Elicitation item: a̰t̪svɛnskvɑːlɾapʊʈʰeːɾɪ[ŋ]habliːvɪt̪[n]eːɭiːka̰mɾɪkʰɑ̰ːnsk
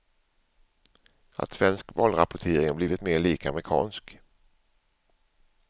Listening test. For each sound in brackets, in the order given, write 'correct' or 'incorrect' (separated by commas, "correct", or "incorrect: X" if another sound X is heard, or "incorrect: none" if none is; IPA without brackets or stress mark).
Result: correct, incorrect: m